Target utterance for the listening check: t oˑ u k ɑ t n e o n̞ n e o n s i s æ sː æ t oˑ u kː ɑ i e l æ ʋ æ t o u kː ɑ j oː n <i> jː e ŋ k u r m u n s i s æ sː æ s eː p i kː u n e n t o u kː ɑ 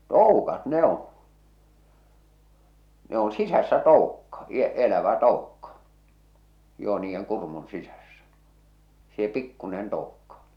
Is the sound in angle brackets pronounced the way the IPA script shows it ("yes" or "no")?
no